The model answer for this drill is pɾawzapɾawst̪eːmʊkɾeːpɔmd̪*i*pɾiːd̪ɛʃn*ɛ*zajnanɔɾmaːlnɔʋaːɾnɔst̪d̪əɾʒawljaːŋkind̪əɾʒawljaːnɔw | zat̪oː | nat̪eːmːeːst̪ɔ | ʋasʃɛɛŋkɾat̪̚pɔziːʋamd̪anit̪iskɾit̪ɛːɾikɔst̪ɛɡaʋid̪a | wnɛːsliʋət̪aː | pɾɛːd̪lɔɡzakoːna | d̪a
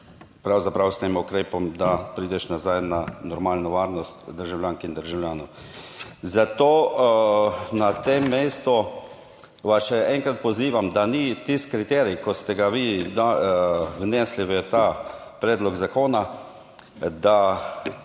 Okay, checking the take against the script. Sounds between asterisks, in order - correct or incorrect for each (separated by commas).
incorrect, incorrect